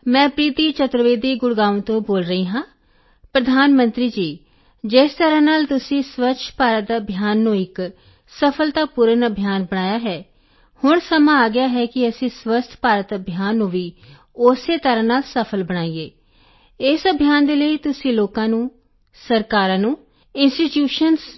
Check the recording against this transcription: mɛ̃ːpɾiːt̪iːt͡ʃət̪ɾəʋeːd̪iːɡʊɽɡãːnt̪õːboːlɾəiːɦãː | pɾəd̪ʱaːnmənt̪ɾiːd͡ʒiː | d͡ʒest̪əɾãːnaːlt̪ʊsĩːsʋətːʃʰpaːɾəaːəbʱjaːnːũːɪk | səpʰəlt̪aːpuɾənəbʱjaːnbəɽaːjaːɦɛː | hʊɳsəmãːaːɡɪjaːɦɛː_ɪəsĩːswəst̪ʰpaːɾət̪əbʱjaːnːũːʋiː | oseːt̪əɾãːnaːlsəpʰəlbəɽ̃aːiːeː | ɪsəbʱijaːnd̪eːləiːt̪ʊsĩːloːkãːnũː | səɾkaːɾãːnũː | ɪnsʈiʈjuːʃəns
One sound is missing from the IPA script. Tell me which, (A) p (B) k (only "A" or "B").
B